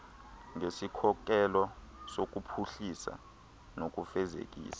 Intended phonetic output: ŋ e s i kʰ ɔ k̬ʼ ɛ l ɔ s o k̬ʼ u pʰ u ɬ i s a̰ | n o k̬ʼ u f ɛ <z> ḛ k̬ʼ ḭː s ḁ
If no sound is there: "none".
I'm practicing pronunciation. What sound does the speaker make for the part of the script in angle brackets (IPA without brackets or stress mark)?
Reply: z